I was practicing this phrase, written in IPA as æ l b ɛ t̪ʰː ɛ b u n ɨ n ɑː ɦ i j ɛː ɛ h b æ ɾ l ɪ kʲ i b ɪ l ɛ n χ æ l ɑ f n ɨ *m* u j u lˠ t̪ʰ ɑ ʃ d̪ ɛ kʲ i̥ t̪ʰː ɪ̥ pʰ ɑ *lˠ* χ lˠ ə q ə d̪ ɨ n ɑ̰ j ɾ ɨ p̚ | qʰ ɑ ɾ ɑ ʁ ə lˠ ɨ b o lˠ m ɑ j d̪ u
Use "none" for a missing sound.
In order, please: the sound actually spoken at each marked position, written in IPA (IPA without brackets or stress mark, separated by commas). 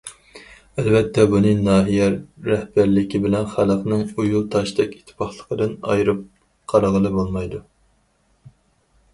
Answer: ŋ, none